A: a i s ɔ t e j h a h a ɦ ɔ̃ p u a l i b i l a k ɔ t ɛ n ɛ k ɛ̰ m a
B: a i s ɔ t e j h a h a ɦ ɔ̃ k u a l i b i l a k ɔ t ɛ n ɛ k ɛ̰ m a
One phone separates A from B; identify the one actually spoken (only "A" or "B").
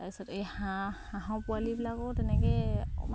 A